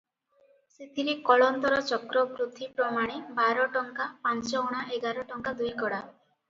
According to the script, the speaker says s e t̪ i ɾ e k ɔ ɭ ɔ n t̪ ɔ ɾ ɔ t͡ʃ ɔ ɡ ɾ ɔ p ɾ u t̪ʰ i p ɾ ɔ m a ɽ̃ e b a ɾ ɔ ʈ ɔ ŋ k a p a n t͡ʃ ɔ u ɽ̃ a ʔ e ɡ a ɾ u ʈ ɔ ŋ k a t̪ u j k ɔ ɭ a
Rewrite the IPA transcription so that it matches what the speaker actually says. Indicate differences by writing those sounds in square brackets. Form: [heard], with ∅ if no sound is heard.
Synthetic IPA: s e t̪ i ɾ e k ɔ ɭ ɔ n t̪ ɔ ɾ ɔ t͡ʃ ɔ [k] ɾ ɔ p ɾ u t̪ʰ i p ɾ ɔ m a ɽ̃ e b a ɾ ɔ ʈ ɔ ŋ k a p a n t͡ʃ ɔ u ɽ̃ a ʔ e ɡ a ɾ [ɔ] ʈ ɔ ŋ k a [d̪] u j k ɔ [ɽ] a